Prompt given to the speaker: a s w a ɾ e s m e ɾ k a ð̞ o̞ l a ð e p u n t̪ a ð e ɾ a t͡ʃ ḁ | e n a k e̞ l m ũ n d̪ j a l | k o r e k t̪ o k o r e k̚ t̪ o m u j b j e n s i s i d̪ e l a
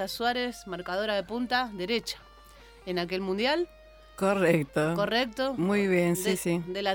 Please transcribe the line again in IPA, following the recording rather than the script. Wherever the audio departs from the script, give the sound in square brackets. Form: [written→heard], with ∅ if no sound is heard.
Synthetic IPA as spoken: a s w a ɾ e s m [e→a] ɾ k a ð̞ o̞ [l→ɾ] a ð e p u n t̪ a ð e ɾ [a→e] t͡ʃ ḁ | e n a k e̞ l m ũ n d̪ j a l | k o r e k t̪ o k o r e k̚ t̪ o m u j [b→β] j e n s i s i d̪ e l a